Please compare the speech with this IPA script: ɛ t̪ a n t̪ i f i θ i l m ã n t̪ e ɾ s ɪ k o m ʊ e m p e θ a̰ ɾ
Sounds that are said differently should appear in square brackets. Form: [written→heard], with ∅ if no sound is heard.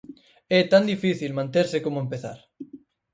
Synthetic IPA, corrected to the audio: ɛ t̪ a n [t̪→d̪] i f i θ i l m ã n t̪ e ɾ s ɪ k o m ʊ e m p e θ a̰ ɾ